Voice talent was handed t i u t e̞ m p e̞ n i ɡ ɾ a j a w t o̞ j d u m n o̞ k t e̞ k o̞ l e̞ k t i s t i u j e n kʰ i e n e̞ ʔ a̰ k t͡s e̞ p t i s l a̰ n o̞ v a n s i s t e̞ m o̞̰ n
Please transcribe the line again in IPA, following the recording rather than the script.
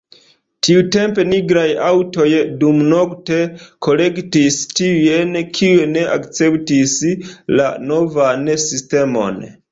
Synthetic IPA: t i u t e̞ m p e̞ n i ɡ ɾ a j a w t o̞ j d u m n o̞ k t e̞ k o̞ l e̞ k t i s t i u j e n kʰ i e n e̞ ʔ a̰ k t͡s e̞ p t i s l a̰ n o̞ v a n s i s t e̞ m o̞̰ n